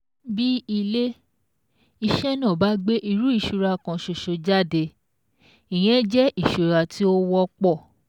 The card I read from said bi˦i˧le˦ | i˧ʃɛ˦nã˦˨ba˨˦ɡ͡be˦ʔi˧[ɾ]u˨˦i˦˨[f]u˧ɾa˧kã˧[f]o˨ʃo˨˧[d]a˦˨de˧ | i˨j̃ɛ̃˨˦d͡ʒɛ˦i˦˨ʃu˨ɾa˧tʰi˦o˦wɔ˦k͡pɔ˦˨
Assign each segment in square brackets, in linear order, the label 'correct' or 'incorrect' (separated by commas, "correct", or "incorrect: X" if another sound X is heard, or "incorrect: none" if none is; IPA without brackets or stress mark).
correct, incorrect: ʃ, incorrect: ʃ, incorrect: d͡ʒ